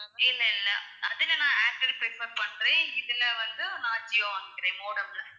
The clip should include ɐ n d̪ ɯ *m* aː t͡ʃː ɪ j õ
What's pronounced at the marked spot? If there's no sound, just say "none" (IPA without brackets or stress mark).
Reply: n